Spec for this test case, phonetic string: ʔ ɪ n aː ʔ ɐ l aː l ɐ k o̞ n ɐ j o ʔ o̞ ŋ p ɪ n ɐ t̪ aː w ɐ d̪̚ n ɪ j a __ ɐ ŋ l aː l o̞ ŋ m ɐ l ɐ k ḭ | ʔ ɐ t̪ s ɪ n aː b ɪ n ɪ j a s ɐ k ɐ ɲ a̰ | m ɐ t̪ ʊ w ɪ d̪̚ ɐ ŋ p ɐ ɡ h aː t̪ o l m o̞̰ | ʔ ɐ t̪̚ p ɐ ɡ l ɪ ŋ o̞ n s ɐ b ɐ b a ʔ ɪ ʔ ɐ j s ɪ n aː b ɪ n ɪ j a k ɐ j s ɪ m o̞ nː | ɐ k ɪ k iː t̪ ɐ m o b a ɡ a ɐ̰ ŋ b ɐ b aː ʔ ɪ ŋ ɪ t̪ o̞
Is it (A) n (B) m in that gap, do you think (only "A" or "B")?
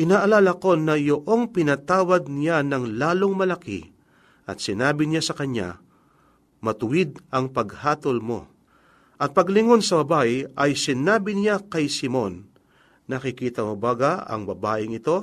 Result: A